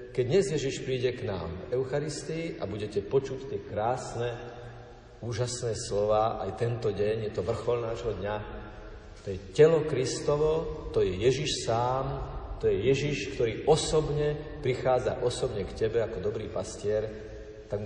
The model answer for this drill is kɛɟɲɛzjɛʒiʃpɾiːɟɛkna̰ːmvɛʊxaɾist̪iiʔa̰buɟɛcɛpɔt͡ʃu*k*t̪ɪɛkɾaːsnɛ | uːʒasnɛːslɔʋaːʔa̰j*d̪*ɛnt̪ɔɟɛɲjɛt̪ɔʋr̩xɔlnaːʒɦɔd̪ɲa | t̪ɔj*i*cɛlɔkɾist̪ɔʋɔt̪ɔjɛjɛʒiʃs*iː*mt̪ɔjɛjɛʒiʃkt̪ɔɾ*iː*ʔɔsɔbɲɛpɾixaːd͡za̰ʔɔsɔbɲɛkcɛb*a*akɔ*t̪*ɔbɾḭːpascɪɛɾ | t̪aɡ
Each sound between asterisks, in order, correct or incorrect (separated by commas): incorrect, incorrect, incorrect, incorrect, correct, incorrect, incorrect